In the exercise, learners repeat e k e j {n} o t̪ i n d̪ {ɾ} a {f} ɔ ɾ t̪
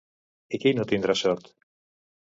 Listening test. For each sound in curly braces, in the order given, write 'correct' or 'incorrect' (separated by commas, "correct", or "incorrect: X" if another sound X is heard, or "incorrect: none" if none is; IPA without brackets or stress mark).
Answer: correct, correct, incorrect: s